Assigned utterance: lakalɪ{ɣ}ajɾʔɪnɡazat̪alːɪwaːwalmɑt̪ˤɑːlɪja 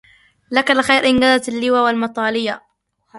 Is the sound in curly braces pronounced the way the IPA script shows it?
no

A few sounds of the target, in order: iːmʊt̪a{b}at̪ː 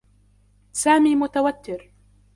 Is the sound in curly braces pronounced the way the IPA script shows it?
no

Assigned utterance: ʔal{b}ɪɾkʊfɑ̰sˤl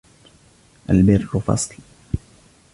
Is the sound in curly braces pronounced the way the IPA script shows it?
yes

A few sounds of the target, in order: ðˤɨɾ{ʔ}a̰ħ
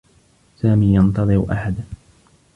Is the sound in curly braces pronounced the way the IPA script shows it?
yes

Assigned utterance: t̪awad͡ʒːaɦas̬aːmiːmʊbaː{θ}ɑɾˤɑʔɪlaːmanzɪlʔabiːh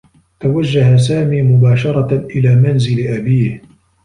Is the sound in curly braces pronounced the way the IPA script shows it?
no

